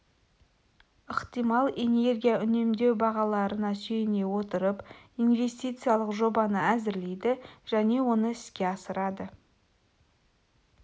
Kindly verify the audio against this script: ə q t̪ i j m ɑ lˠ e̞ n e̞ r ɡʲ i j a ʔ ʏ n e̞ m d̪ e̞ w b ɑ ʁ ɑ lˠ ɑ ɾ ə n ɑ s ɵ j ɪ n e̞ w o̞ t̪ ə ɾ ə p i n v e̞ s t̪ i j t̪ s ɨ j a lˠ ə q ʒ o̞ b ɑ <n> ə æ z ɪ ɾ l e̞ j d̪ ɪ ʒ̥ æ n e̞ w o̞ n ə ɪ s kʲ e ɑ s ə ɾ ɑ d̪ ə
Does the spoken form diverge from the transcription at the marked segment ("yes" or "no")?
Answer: no